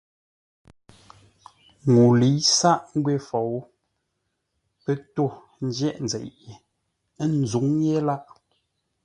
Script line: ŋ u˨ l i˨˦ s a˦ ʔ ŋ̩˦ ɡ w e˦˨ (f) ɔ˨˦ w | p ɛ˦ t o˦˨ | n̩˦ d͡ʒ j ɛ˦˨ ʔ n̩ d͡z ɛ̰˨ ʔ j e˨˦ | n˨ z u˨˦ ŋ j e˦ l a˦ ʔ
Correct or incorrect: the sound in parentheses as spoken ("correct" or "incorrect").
correct